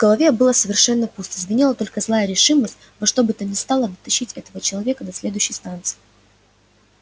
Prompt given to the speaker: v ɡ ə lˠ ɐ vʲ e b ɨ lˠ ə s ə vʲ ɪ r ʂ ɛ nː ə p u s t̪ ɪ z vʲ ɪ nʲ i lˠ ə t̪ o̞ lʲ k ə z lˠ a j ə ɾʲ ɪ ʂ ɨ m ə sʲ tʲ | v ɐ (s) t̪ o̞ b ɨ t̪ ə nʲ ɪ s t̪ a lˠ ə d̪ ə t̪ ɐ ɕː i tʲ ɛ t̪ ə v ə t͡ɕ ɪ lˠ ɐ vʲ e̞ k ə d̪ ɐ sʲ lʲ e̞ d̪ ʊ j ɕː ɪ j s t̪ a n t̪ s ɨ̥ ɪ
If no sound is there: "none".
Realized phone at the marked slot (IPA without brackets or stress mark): ʂ